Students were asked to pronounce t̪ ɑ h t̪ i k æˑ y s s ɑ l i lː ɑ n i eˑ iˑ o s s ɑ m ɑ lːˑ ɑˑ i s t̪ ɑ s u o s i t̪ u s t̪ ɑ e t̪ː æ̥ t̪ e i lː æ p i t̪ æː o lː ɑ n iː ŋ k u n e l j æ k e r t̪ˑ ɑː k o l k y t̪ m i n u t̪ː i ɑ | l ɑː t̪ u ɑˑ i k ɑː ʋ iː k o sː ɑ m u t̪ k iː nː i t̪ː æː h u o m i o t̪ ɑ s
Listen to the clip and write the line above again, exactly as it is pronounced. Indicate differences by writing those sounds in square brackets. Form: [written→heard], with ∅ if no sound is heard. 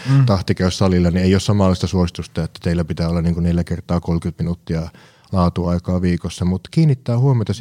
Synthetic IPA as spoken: t̪ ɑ h t̪ i k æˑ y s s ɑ l i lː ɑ n i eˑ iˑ o s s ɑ m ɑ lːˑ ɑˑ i s t̪ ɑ s u o s i t̪ u s t̪ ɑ e t̪ː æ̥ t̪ e i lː æ p i t̪ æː o lː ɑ n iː ŋ k u n e l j æ k e r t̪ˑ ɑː k o l k y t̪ m i n u t̪ː i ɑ | l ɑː t̪ u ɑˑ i k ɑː ʋ iː k o sː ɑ m u t̪ k iː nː i t̪ː æː h u o m i o t̪ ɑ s